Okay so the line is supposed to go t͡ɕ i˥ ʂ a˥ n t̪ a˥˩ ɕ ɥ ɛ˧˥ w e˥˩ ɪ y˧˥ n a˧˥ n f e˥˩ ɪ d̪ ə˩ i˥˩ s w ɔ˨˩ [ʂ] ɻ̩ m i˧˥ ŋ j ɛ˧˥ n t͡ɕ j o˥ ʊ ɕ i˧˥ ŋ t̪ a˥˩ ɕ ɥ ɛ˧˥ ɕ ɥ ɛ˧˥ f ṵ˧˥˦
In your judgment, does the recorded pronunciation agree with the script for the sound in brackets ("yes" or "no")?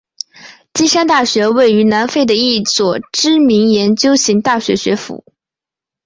no